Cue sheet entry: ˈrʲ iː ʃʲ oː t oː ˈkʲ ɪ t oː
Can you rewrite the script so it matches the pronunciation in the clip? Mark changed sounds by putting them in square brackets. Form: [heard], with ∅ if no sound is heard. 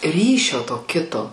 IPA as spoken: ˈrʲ iː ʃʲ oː t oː ˈkʲ ɪ t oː